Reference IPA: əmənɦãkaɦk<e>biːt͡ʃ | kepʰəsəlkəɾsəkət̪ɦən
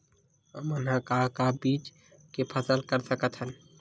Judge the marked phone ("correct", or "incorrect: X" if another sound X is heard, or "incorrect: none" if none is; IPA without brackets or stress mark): incorrect: a